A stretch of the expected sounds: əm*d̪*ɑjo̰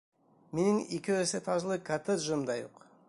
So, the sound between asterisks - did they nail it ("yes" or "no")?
yes